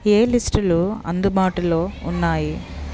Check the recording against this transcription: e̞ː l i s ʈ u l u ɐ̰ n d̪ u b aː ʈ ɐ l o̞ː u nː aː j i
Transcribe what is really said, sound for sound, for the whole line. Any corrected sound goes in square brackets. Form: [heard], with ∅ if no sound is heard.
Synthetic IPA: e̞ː l i s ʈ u l u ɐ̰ n d̪ u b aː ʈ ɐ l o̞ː u nː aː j i